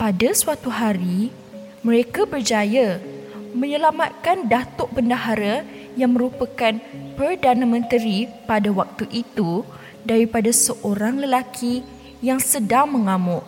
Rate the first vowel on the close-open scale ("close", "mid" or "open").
open